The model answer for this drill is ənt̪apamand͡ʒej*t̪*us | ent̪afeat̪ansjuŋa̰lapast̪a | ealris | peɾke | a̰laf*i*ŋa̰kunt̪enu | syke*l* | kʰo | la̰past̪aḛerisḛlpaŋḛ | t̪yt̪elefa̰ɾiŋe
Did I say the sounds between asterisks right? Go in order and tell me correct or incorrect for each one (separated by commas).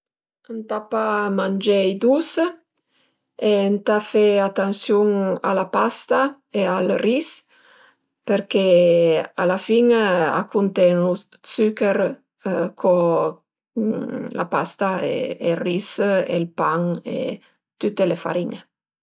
incorrect, correct, incorrect